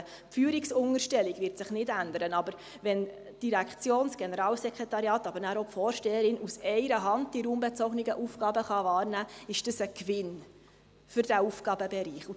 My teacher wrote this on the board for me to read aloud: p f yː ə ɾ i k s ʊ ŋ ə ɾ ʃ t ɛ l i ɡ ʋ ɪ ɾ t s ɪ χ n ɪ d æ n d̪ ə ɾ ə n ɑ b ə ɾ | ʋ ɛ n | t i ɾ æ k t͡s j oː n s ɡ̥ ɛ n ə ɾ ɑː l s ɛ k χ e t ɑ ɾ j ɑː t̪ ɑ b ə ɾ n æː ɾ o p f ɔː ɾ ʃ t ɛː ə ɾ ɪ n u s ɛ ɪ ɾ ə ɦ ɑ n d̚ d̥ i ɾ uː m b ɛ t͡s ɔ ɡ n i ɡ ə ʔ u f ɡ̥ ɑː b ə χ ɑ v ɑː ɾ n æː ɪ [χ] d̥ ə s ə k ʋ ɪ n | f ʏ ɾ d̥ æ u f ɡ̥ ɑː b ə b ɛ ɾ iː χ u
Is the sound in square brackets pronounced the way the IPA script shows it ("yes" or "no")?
no